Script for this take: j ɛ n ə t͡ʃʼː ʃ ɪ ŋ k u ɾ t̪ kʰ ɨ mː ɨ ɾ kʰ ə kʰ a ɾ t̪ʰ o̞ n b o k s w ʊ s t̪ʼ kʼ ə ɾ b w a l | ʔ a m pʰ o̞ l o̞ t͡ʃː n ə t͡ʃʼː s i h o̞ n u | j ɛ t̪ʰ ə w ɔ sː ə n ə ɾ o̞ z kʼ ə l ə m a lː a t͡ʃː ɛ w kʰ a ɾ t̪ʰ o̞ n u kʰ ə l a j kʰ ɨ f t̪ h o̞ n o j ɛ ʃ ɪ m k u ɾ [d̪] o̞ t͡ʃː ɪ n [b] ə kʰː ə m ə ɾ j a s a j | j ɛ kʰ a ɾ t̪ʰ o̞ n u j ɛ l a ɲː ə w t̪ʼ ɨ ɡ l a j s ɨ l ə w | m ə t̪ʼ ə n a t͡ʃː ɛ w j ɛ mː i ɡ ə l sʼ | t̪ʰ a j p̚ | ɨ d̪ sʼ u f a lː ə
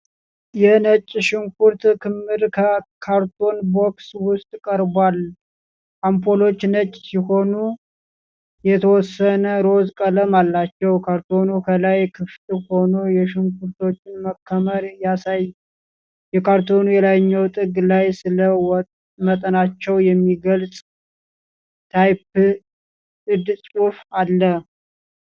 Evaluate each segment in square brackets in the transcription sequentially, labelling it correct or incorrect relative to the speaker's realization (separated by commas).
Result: incorrect, incorrect